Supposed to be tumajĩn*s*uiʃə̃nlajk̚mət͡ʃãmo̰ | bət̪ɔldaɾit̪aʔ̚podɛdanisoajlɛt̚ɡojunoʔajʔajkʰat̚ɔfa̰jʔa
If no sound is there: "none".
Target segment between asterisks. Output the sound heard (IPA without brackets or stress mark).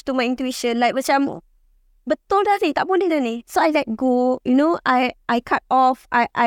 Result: t